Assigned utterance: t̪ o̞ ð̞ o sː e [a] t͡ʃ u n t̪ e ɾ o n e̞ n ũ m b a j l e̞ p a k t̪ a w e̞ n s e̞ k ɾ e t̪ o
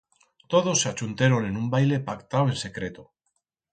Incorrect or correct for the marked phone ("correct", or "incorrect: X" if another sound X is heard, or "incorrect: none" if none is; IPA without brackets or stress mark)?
correct